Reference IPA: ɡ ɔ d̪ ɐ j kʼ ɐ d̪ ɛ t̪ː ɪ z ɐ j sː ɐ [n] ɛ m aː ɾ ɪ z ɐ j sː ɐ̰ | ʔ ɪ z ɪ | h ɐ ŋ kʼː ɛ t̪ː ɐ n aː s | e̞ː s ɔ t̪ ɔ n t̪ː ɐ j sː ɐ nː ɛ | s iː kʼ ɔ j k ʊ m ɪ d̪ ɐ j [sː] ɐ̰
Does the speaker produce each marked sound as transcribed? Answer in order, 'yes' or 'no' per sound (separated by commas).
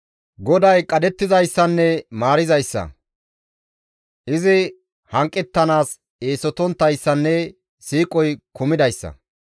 no, yes